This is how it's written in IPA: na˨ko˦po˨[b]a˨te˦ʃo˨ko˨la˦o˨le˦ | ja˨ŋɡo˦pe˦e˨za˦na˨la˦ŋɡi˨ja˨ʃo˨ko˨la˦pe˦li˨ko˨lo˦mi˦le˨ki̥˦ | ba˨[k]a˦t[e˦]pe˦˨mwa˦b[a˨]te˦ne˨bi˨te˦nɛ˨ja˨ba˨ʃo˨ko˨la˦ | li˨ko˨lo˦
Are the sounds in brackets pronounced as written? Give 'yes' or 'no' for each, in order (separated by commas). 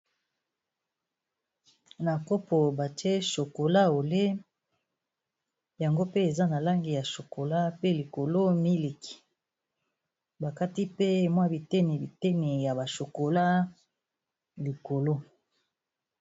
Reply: yes, yes, no, no